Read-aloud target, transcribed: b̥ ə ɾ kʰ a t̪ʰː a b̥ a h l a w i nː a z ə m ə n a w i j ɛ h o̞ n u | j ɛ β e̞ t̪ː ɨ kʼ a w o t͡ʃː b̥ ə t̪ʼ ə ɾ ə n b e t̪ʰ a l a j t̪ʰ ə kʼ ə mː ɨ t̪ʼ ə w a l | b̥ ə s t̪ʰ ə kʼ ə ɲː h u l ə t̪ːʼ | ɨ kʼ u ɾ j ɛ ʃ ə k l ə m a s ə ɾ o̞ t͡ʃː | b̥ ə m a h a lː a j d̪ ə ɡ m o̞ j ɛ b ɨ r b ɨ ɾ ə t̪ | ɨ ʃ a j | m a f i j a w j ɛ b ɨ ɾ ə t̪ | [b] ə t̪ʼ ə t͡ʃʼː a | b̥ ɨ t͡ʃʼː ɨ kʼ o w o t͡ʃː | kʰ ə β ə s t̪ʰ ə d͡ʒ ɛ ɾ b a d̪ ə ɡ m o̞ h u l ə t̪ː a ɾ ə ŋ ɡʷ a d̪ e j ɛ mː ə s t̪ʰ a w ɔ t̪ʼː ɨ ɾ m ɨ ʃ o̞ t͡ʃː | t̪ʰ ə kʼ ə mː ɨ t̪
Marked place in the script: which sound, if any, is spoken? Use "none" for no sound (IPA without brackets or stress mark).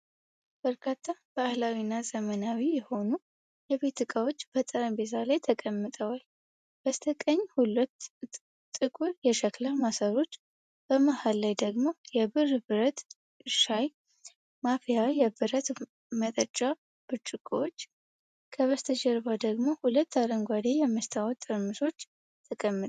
m